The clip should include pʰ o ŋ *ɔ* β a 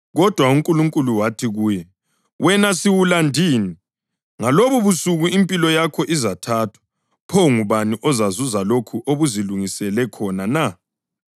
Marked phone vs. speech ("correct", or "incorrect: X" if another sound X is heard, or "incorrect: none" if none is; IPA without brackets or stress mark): incorrect: u